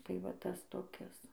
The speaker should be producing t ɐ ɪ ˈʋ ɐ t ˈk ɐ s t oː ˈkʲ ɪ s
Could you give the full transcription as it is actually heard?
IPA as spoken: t ɐ ɪ ˈʋ ɐ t ˈt ɐ s t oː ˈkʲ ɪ s